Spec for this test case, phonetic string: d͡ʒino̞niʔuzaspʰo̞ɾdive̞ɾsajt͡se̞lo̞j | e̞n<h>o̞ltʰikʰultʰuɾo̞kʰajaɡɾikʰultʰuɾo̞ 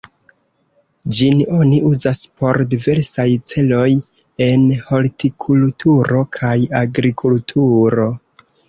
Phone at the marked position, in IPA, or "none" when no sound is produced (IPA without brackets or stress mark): h